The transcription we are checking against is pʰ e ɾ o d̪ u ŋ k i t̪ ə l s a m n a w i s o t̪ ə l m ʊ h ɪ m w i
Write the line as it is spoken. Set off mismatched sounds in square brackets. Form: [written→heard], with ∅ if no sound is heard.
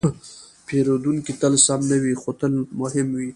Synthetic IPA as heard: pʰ e ɾ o d̪ u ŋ k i t̪ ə l s a m n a w i [s→x] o t̪ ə l m ʊ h ɪ m w i